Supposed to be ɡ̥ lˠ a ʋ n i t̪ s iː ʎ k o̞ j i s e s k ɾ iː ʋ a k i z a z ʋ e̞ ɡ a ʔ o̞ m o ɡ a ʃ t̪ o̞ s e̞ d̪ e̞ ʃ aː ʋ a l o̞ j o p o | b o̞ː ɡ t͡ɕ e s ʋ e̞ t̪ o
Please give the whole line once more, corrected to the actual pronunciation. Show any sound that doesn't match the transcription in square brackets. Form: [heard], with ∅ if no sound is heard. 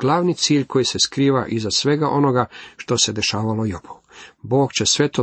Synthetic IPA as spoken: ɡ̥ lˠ a ʋ n i t̪ s iː ʎ k o̞ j i s e s k ɾ iː ʋ a [ʔ] i z a [s] ʋ e̞ ɡ a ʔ o̞ [n] o ɡ a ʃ t̪ o̞ s e̞ d̪ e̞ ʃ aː ʋ a l o̞ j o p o | b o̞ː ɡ t͡ɕ e s ʋ e̞ t̪ o